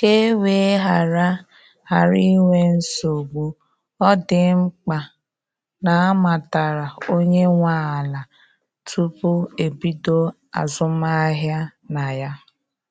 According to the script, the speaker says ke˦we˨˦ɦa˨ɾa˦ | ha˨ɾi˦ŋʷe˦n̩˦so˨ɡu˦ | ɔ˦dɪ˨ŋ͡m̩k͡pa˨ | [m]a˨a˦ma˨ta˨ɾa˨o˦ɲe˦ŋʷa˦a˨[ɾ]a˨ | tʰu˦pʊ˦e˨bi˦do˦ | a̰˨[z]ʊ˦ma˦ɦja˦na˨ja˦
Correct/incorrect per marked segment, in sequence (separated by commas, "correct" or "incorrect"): incorrect, incorrect, correct